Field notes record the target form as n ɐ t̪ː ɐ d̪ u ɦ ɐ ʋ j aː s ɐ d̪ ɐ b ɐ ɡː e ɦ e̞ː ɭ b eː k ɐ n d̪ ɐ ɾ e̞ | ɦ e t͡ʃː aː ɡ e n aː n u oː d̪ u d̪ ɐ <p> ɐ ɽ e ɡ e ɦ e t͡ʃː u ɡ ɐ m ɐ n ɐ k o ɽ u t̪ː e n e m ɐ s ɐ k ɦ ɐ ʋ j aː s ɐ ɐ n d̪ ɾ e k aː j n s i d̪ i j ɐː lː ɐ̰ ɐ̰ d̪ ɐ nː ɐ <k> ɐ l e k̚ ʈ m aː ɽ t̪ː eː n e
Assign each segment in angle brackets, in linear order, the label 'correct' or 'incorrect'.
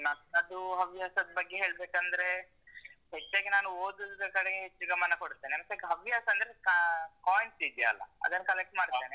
incorrect, correct

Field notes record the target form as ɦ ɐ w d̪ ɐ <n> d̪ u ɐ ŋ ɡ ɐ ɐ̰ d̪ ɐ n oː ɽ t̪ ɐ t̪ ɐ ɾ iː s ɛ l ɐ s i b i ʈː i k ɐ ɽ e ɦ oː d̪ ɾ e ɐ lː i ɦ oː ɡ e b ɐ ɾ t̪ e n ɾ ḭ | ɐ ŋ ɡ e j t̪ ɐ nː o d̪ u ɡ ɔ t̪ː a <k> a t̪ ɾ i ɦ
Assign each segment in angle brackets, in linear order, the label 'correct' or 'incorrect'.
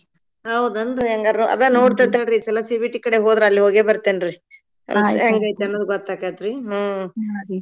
correct, correct

